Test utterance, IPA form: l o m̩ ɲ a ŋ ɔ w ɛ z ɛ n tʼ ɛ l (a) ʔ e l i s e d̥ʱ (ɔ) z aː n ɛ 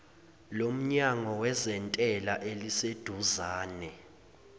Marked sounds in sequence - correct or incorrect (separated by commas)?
correct, incorrect